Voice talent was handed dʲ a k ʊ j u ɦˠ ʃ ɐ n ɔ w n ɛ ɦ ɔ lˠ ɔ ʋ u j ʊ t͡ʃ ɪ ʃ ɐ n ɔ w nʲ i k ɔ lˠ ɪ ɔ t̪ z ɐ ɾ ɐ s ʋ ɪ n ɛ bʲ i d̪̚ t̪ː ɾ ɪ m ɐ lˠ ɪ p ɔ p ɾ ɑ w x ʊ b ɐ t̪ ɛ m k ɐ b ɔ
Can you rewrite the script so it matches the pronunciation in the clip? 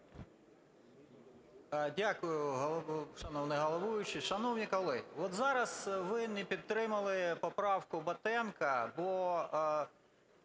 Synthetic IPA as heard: dʲ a k ʊ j ʊ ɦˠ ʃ ɐ n ɔ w n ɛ ɦ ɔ lˠ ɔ ʋ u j ʊ t͡ʃ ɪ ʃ ɐ n ɔ w nʲ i k ɔ lˠ ɪ ɔ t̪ z ɑ ɾ ɐ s ʋ ɪ n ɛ pʲ i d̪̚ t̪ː ɾ ɪ m ɐ lˠ ɪ p ɔ p ɾ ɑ w k ʊ b ɐ t̪ ɛ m k ɐ b ɔ